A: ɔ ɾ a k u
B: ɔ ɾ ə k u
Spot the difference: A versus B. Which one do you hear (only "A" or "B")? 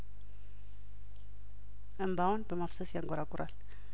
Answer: A